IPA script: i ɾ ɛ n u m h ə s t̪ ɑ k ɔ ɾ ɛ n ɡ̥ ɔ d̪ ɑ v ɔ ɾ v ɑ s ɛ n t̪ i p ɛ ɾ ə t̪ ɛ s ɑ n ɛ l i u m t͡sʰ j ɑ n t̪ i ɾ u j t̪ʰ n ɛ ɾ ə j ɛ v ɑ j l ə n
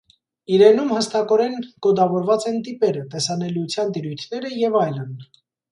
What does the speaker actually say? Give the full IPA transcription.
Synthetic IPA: i ɾ ɛ n u m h ə s t̪ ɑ k ɔ ɾ ɛ n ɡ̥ ɔ d̪ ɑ v ɔ ɾ v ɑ t͡s ɛ n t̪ i p ɛ ɾ ə t̪ ɛ s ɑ n ɛ l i u t͡sʰ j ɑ n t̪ i ɾ u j t̪ʰ n ɛ ɾ ə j ɛ v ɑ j l ə n